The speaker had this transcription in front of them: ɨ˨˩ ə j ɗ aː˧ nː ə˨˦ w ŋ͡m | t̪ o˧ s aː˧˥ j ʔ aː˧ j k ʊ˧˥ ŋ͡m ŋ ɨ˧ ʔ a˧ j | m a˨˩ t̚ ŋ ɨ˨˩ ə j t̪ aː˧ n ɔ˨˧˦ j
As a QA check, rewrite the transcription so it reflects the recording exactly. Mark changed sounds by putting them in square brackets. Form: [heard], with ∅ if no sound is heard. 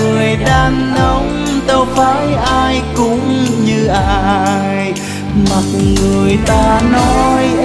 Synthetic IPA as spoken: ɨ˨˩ ə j ɗ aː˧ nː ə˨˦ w ŋ͡m | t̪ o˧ [f] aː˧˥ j ʔ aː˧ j k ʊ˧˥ ŋ͡m [ɲ] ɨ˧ ʔ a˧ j | m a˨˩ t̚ ŋ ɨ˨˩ ə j t̪ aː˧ n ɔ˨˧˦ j

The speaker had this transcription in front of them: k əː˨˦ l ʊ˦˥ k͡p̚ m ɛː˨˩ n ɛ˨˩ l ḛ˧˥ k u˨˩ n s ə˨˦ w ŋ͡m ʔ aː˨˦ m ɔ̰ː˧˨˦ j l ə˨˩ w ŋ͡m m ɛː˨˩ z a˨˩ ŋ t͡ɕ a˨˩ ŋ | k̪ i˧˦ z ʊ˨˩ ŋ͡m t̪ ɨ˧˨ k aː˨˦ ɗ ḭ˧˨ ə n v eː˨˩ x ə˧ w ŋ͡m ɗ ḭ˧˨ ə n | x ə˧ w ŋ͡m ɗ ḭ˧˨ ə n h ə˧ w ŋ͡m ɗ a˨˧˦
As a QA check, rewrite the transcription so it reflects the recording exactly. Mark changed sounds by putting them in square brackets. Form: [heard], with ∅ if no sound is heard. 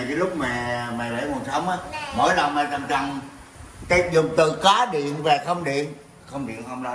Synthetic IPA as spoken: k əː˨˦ l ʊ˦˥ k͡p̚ m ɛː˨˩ [m] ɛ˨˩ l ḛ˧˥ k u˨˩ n s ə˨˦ w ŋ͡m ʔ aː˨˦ m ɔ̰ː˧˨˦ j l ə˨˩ w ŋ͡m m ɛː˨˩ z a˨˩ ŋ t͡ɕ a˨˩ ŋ | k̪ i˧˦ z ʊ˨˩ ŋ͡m t̪ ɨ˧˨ k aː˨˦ ɗ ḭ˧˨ ə n v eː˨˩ x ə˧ w ŋ͡m ɗ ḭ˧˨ ə n | x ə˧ w ŋ͡m ɗ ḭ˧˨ ə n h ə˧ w ŋ͡m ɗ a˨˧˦

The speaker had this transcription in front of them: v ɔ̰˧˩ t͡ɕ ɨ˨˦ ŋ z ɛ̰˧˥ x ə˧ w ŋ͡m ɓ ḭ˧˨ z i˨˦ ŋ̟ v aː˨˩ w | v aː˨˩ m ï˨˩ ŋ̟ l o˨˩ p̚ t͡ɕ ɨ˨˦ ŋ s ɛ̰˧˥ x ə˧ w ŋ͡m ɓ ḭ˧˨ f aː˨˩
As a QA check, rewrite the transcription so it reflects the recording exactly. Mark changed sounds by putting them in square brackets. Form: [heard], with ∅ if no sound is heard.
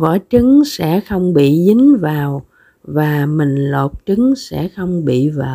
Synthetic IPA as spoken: v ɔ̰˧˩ t͡ɕ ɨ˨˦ ŋ [s] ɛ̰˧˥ x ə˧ w ŋ͡m ɓ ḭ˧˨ z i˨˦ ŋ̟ v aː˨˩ w | v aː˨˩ m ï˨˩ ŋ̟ l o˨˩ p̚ t͡ɕ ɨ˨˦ ŋ s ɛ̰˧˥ x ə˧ w ŋ͡m ɓ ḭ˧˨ [v] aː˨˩

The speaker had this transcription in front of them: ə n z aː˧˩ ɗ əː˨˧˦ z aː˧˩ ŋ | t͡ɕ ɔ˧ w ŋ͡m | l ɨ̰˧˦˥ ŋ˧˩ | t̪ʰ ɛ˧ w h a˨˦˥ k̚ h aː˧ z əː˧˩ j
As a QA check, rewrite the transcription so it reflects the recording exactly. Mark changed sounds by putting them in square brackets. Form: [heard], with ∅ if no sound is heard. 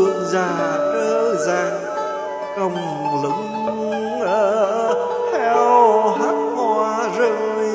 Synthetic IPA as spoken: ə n z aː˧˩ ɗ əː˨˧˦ z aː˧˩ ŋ | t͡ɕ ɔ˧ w ŋ͡m | l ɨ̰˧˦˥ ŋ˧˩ | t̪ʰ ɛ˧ w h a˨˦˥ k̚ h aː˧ z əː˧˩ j

